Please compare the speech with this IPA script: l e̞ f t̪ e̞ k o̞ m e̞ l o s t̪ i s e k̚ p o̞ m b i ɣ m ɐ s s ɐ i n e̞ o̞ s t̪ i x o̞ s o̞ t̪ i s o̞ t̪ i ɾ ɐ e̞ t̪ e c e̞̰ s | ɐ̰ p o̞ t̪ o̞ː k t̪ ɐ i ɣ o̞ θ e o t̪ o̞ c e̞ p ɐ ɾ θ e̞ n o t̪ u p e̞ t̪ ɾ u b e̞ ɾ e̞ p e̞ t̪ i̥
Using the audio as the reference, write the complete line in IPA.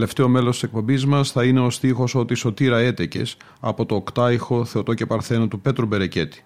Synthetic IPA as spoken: l e̞ f t̪ e̞ o̞ m e̞ l o s t̪ i s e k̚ p o̞ m b i z m ɐ s θ ɐ i n e̞ o̞ s t̪ i x o̞ s o̞ t̪ i s o̞ t̪ i ɾ ɐ e̞ t̪ e c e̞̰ s | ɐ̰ p o̞ t̪ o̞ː k t̪ ɐ i x o̞ θ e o t̪ o̞ c e̞ p ɐ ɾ θ e̞ n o t̪ u p e̞ t̪ ɾ u b e̞ ɾ e̞ c e̞ t̪ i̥